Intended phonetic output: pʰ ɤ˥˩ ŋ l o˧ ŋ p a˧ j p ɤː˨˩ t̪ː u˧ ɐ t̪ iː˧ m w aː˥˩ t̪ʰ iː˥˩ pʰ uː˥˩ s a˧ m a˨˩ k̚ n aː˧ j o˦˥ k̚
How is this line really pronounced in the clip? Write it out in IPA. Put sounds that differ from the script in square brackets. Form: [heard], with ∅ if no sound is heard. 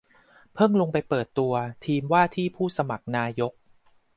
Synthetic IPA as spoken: pʰ ɤ˥˩ ŋ l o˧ ŋ p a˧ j p ɤː˨˩ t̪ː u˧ ɐ [t̪ʰ] iː˧ m w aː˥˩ t̪ʰ iː˥˩ pʰ uː˥˩ s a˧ m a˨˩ k̚ n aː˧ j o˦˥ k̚